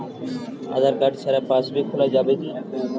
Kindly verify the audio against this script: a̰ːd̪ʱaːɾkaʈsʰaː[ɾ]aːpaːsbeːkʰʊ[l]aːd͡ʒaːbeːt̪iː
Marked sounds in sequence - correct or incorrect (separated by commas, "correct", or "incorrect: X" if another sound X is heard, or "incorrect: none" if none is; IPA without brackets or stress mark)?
correct, correct